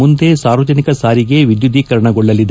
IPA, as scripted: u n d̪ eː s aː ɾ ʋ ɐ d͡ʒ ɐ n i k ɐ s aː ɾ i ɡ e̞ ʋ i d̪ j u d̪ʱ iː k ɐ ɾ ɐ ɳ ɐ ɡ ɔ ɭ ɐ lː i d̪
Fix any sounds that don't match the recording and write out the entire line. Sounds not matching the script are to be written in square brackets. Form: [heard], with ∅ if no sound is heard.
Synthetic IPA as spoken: u n d̪ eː s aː ɾ ʋ ɐ d͡ʒ ɐ n i k ɐ s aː ɾ i ɡ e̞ ʋ i d̪ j u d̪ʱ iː k ɐ ɾ ɐ ɳ ɐ ɡ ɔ [ɭː] ɐ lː i d̪